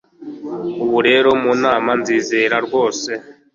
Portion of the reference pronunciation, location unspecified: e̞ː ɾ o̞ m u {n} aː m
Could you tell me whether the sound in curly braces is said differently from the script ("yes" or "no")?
no